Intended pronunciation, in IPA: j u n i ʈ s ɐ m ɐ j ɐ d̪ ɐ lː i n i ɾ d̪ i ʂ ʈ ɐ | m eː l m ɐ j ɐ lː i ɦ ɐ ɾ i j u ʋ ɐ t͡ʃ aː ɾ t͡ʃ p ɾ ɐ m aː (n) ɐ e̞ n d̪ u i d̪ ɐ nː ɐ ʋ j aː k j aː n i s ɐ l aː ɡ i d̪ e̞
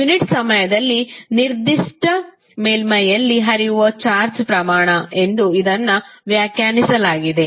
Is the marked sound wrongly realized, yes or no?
yes